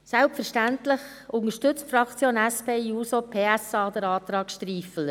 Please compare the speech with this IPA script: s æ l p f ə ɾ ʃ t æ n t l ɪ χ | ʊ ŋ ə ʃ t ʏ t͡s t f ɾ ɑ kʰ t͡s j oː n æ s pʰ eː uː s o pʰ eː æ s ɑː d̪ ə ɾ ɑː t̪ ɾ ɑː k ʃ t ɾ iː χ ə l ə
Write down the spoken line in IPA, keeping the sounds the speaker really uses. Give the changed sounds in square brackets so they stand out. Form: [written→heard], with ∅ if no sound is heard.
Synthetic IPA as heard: s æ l p f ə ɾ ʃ t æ n t l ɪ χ | ʊ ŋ ə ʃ t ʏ t͡s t f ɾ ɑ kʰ t͡s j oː n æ s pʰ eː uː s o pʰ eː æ s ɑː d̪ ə ɾ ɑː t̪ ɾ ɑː k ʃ t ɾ iː [χ→f] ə l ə